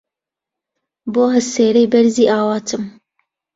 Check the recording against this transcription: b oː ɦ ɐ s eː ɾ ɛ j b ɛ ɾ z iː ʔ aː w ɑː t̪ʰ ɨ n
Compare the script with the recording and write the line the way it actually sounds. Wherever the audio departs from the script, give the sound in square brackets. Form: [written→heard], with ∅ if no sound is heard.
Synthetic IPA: b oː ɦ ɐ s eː ɾ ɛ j b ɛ ɾ z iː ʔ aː w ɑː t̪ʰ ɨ [n→m]